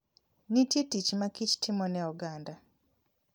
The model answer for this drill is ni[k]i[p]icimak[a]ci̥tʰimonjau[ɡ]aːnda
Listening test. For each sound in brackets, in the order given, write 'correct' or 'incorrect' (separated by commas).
incorrect, incorrect, incorrect, correct